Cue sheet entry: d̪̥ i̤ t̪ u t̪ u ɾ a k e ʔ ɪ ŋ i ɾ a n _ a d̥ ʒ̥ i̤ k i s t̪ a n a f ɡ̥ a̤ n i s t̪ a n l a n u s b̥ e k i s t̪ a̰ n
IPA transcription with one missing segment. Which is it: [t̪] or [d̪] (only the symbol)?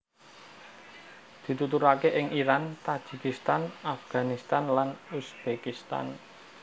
t̪